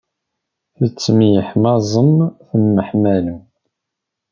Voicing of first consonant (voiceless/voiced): voiceless